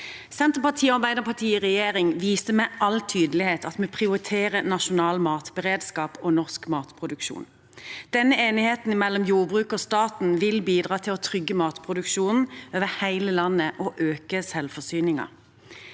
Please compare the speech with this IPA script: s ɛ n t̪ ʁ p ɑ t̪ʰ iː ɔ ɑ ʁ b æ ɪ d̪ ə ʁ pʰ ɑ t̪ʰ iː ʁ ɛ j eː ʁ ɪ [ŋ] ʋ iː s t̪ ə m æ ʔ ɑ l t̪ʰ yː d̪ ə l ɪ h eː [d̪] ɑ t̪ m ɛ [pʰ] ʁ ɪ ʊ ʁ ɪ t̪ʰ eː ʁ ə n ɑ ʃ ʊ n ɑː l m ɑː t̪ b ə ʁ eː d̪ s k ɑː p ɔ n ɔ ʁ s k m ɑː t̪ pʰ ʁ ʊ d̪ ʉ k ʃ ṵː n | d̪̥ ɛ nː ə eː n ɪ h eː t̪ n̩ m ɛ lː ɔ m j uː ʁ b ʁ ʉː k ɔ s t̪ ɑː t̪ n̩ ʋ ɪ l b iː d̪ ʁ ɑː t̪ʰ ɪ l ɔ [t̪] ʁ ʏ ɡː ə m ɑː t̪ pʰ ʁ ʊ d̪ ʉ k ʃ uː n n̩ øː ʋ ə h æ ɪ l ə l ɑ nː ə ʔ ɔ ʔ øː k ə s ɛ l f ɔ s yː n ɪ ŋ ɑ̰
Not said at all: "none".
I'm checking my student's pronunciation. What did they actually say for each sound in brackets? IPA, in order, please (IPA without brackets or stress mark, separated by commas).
ŋ, t̪, pʰ, t̪ʰ